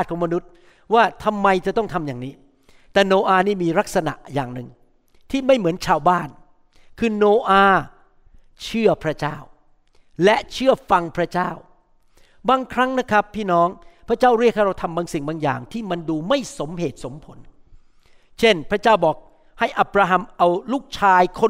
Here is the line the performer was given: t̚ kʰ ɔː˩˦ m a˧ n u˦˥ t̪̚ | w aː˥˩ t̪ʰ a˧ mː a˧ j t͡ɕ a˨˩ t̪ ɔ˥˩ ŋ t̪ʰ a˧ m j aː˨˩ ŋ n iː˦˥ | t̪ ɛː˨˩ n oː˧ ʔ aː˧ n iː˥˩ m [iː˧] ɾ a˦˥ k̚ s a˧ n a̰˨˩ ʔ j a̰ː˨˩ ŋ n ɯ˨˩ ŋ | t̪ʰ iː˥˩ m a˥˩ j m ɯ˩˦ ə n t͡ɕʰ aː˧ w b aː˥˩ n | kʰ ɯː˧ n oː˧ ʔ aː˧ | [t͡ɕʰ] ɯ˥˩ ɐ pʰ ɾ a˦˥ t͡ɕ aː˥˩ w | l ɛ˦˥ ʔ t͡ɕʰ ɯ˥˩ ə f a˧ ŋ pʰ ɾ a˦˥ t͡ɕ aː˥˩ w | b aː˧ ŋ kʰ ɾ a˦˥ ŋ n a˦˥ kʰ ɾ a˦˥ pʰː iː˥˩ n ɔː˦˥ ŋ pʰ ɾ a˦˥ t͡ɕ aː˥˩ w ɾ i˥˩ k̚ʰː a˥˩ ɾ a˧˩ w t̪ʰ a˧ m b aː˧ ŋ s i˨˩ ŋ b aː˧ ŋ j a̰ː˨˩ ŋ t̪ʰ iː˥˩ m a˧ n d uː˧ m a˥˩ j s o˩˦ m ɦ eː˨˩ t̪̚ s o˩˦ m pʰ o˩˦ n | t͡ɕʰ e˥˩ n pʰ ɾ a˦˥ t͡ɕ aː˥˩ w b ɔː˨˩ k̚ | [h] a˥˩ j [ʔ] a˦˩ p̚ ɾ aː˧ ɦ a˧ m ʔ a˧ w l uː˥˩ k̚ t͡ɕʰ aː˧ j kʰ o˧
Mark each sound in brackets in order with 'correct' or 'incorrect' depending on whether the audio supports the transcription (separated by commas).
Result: correct, correct, correct, correct